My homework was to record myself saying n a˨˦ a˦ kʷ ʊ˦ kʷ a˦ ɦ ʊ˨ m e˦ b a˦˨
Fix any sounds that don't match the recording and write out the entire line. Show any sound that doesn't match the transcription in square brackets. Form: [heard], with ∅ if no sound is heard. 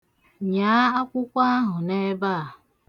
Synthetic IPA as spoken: [ɲ] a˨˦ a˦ kʷ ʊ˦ kʷ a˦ ɦ ʊ˨ [n] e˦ b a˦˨